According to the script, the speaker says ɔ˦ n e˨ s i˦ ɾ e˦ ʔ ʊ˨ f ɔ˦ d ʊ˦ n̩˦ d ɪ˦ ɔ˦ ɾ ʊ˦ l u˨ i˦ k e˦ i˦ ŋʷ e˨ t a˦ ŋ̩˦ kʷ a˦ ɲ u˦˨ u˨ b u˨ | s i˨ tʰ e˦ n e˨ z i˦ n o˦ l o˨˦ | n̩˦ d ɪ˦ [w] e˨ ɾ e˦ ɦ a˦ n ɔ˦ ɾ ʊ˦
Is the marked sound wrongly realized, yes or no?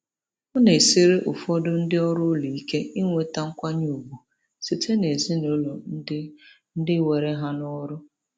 no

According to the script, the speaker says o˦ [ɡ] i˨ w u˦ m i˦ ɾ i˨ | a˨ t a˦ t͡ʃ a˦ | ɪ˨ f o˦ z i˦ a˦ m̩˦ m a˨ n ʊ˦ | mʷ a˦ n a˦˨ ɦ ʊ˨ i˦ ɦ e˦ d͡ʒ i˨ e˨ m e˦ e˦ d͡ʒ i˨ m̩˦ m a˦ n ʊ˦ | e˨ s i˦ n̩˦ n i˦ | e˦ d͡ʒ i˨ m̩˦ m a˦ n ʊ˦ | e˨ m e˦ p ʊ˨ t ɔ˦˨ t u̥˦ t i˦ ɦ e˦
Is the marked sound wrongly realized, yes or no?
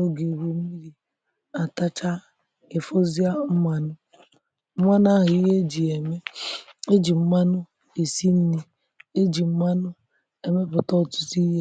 no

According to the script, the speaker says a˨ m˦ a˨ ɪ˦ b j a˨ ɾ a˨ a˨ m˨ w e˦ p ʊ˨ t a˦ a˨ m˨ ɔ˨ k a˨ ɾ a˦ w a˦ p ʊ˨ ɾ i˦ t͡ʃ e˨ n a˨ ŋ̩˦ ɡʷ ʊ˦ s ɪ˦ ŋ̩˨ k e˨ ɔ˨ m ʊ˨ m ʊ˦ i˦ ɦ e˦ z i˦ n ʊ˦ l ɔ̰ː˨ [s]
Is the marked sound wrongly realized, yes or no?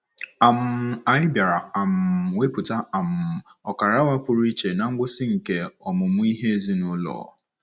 yes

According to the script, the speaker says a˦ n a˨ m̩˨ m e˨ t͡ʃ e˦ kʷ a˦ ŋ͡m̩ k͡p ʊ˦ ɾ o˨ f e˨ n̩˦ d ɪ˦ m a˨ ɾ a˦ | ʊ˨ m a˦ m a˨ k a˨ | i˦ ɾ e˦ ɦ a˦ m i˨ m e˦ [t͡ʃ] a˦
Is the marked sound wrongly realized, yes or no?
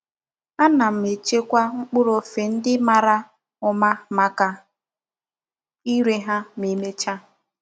no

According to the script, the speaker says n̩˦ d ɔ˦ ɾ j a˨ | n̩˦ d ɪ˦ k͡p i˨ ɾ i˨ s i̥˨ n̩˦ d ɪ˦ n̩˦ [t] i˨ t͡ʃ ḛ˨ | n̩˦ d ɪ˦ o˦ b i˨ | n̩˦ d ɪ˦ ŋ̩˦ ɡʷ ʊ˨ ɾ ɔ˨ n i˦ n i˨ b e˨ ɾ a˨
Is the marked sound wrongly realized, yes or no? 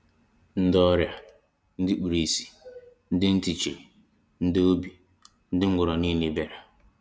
no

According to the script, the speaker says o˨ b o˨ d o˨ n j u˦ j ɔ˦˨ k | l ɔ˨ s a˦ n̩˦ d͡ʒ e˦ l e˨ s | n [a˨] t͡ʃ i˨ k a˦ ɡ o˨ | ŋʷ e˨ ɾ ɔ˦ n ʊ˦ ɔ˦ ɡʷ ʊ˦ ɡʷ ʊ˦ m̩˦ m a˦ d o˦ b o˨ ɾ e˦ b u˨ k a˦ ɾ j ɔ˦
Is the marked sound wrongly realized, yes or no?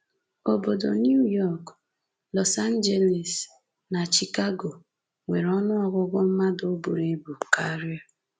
no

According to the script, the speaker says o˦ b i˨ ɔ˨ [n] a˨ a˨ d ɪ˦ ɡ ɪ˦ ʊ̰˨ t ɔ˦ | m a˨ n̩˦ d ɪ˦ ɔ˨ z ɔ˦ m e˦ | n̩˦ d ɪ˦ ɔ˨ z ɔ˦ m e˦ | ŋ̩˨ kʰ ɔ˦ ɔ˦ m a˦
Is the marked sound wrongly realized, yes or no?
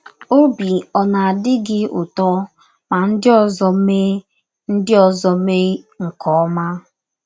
no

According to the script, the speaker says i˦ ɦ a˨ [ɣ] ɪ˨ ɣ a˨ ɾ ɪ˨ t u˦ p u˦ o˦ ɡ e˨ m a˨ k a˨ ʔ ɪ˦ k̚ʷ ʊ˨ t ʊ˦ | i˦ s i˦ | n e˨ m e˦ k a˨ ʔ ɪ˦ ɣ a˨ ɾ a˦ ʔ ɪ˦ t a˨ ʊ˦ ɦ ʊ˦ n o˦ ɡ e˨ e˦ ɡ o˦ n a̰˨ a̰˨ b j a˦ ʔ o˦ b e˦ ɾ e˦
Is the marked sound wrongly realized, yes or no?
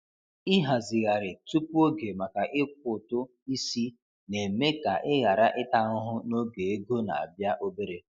yes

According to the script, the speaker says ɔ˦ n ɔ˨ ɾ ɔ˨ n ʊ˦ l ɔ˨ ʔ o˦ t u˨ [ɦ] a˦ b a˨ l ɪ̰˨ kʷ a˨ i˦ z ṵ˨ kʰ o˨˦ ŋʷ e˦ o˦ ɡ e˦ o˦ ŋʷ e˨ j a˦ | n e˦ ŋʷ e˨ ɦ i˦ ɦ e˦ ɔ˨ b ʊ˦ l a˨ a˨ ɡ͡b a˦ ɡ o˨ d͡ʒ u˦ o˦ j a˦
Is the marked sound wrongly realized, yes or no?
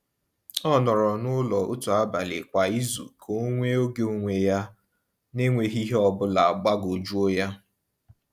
yes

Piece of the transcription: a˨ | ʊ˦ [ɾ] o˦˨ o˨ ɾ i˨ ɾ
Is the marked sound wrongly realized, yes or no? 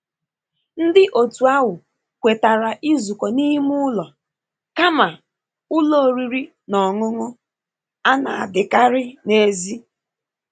yes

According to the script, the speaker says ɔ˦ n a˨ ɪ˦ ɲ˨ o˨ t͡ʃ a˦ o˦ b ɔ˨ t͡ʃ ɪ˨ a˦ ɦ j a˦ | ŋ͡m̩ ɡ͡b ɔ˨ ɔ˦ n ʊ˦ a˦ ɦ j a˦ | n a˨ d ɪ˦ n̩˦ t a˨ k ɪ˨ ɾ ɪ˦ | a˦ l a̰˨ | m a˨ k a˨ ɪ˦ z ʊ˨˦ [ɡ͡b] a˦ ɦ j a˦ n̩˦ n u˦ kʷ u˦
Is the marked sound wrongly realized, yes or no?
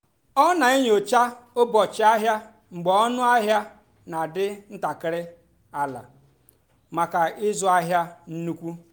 yes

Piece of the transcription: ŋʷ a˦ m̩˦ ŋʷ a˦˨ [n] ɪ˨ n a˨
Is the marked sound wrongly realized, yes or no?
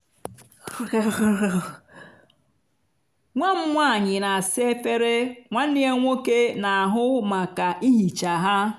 yes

